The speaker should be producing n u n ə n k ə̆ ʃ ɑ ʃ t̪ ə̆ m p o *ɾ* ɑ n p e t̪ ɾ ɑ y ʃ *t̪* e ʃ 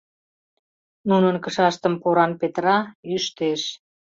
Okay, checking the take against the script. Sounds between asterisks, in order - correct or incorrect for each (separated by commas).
correct, correct